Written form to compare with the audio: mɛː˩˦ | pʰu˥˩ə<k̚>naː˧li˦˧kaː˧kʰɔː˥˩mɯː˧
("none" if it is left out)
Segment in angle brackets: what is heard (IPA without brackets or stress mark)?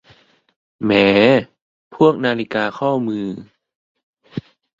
k̚